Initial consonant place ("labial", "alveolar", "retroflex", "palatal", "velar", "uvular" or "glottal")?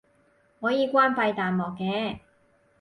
glottal